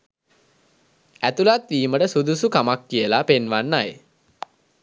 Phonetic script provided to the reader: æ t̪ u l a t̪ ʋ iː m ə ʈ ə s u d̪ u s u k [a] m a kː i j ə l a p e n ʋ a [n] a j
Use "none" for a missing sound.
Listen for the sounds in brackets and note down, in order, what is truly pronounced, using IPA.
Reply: a, nː

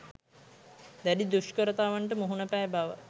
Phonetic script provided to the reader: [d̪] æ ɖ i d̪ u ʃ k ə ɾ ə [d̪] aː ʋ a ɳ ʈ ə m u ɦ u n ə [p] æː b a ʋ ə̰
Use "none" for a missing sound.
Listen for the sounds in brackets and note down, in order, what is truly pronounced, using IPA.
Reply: d̪, t̪, p

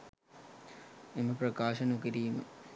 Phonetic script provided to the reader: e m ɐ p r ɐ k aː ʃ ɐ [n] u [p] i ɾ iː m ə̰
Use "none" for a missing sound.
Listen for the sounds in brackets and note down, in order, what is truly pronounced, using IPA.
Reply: n, k

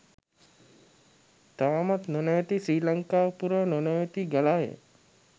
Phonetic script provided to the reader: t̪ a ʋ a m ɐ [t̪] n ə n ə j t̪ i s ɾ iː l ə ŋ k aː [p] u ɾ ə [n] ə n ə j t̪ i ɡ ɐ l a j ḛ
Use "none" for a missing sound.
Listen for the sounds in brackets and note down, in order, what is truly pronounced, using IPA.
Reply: t̪, p, n

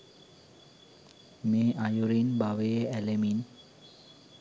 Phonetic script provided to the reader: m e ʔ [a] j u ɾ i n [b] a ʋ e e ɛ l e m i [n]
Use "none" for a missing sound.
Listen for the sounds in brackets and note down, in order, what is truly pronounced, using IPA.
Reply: a, b, n

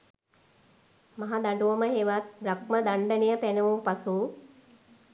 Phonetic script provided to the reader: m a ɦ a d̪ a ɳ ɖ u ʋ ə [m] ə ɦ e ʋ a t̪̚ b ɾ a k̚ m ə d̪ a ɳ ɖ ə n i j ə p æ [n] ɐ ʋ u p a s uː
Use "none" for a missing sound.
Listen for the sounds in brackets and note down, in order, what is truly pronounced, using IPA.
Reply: m, n

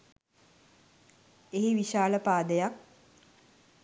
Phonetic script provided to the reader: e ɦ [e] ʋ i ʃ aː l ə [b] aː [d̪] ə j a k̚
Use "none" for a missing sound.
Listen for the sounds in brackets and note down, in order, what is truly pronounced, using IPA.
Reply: i, p, d̪

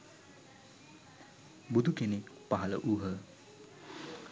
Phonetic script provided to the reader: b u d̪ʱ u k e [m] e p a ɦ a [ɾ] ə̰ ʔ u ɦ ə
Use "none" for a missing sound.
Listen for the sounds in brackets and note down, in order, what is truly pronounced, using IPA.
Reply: n, l

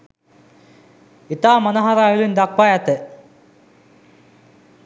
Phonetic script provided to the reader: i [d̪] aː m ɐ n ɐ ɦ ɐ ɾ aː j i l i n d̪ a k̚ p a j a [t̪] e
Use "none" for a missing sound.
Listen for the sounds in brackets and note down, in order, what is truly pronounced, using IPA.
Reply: t̪, t̪

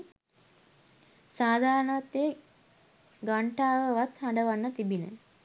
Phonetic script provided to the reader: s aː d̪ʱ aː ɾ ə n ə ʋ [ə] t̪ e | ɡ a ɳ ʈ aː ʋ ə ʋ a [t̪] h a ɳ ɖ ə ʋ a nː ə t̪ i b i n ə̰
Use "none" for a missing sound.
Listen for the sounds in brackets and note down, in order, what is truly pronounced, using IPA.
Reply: a, t̪

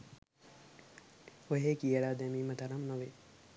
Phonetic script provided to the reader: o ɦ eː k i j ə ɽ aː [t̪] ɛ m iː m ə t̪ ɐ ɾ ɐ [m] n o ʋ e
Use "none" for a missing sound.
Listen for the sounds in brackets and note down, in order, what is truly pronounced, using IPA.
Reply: d̪, m

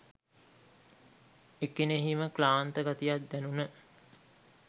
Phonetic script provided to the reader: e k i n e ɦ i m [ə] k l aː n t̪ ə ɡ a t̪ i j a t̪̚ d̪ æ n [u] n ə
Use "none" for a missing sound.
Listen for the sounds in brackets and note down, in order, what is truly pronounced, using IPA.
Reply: ə, u

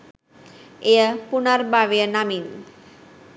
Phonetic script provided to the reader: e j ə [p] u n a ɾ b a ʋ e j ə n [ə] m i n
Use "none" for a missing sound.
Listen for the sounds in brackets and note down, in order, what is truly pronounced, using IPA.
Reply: p, a

